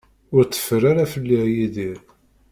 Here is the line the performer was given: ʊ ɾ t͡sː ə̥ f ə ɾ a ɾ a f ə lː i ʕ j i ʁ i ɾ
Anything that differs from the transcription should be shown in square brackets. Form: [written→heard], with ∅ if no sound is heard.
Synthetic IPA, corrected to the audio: ʊ ɾ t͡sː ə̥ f ə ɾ a ɾ a f ə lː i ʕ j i [ʁ→ð] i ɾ